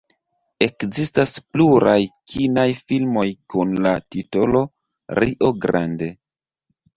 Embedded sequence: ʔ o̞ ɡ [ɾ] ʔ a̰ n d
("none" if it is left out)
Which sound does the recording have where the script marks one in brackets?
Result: ɾ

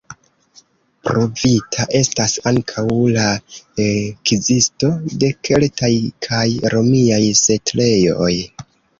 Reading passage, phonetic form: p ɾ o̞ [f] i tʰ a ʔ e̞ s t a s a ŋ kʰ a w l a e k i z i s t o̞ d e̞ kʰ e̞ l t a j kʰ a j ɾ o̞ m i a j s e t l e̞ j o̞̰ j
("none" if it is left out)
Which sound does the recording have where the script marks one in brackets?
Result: v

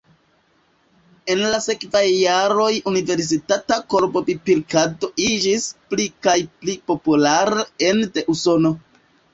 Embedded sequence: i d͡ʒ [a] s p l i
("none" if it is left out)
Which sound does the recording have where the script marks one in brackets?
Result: i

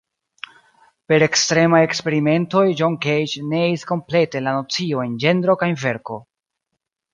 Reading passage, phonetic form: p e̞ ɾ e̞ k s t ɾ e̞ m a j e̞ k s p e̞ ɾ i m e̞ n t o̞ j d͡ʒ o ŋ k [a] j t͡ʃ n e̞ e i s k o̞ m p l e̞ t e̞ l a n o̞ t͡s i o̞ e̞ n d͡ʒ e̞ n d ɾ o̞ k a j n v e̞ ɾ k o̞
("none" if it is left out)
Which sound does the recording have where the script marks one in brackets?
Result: e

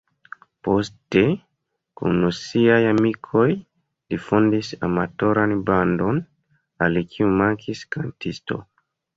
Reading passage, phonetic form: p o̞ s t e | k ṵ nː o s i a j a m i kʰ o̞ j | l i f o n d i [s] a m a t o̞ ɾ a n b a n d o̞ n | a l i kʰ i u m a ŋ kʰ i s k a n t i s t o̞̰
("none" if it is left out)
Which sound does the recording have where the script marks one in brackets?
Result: s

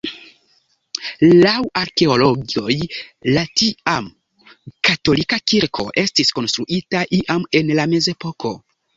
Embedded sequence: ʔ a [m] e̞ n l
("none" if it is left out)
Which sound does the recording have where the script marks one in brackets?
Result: m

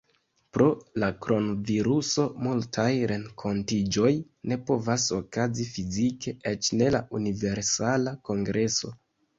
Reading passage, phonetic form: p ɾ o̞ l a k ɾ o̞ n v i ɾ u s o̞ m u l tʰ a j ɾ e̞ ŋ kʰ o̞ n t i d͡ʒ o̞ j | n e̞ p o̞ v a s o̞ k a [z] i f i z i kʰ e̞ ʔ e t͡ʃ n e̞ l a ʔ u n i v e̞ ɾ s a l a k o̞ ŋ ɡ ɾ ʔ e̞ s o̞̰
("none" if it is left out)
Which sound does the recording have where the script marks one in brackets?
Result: z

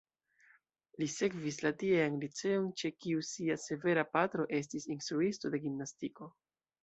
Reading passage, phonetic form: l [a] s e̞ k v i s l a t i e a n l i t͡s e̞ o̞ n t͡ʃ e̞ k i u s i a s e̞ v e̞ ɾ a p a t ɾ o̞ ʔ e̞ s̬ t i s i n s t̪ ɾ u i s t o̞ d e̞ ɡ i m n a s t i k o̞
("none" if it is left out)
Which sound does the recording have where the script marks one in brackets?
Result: i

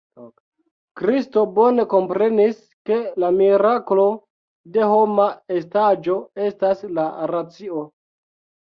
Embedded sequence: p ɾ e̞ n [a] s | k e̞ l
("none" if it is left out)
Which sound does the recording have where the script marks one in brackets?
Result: i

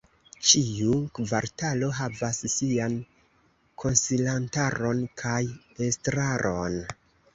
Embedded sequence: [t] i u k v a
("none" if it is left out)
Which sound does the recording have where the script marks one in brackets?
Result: t͡ʃ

